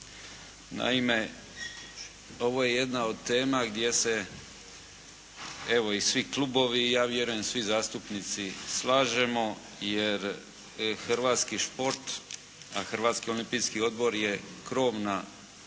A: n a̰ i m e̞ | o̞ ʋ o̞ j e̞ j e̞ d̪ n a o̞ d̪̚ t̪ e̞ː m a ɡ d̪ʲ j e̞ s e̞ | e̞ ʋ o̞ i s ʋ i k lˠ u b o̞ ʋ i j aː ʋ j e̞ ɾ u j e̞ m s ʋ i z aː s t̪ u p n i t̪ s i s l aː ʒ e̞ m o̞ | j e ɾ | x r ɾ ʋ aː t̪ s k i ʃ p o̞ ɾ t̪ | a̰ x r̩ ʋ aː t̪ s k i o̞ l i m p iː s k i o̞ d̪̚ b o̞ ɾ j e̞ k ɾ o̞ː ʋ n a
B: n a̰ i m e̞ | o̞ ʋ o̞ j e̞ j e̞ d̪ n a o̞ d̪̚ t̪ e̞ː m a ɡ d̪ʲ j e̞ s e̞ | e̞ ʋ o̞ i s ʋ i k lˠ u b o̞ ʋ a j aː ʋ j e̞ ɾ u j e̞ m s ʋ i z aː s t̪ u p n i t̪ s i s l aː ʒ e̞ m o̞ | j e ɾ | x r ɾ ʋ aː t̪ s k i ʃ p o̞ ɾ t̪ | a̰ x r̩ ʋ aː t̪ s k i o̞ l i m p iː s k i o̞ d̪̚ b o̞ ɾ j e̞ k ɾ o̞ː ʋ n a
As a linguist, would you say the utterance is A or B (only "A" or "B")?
A